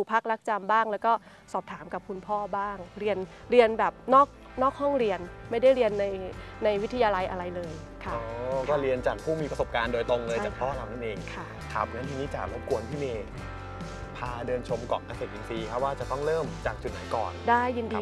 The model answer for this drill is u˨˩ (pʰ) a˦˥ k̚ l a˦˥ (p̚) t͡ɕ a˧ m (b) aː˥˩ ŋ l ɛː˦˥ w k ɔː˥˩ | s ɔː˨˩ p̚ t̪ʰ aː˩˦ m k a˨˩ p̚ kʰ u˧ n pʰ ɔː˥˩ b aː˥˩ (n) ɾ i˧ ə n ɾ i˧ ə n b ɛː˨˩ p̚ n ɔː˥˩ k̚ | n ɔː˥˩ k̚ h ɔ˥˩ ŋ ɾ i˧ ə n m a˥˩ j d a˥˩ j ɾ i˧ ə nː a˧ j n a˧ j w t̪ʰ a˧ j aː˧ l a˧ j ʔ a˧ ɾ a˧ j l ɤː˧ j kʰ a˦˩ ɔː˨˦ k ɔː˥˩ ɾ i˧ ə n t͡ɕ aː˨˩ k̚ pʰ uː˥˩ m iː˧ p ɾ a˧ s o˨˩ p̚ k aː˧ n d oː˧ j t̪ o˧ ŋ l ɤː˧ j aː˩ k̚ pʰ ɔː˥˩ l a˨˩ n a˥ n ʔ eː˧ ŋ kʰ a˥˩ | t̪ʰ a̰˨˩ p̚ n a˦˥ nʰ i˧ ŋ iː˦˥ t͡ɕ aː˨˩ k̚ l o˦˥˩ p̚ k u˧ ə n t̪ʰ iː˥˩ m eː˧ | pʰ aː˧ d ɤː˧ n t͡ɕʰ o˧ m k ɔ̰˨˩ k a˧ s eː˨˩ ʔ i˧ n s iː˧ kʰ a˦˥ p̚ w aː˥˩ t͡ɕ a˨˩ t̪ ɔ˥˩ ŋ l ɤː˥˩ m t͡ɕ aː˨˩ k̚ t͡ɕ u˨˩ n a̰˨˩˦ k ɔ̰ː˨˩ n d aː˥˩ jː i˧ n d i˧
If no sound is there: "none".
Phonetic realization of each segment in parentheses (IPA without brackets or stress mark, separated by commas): pʰ, k̚, b, ŋ